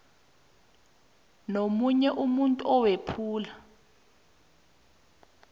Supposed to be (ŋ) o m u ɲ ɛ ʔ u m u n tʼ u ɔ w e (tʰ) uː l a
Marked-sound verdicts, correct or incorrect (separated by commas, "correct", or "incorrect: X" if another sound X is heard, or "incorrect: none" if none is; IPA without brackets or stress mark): incorrect: n, incorrect: pʰ